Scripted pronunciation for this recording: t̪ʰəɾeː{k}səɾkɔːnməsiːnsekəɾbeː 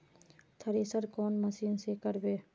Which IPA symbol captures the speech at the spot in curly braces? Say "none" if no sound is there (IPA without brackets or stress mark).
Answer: none